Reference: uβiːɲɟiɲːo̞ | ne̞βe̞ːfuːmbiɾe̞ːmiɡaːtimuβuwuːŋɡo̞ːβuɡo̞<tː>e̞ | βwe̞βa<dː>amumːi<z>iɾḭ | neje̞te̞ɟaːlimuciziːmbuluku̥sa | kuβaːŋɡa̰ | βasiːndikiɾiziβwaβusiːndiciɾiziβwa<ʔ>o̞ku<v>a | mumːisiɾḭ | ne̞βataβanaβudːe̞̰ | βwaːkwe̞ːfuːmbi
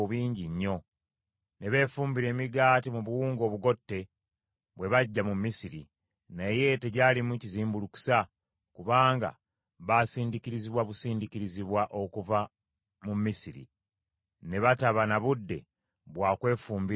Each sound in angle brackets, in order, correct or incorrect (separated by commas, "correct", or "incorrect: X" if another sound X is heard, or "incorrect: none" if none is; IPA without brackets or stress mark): correct, incorrect: ɟː, incorrect: s, correct, correct